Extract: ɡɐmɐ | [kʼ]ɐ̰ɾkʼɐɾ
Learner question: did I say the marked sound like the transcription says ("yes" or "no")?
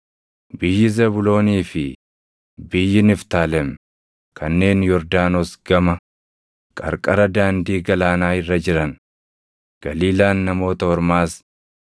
yes